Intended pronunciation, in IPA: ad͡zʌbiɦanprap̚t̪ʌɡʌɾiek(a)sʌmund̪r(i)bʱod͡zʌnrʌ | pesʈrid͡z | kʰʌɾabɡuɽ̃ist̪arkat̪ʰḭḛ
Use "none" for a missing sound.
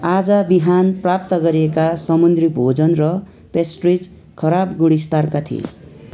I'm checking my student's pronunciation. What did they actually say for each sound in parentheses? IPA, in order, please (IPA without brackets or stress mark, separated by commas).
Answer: a, i